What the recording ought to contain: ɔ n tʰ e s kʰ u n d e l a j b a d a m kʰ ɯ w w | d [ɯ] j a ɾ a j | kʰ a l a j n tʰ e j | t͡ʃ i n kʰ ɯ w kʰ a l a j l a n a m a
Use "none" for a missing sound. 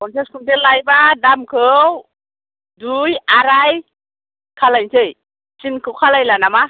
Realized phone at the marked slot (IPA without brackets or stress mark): u